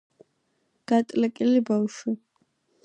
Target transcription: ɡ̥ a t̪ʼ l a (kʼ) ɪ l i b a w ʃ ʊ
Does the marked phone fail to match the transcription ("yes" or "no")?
no